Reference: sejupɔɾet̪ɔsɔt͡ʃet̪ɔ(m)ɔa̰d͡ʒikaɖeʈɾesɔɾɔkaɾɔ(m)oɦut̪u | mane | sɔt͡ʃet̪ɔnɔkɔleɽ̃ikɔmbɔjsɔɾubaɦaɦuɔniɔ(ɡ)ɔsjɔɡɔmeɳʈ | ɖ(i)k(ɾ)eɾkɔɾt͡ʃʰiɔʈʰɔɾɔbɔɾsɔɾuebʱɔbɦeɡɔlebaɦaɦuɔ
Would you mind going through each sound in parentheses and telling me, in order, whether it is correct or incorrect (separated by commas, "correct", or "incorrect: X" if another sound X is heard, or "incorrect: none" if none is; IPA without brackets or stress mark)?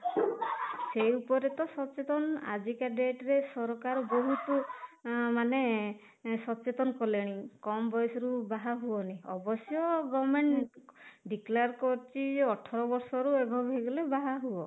incorrect: n, incorrect: b, incorrect: b, correct, incorrect: l